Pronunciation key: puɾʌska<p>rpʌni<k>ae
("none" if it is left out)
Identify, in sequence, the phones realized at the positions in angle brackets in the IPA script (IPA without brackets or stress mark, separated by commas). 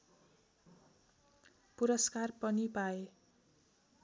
none, p